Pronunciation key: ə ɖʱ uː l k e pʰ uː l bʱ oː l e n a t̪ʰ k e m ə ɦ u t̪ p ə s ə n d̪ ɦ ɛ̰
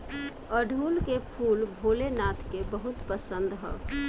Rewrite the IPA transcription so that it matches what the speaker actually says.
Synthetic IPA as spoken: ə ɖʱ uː l k e pʰ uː l bʱ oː l e n a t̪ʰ k e b ə ɦ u t̪ p ə s ə n d̪ ɦ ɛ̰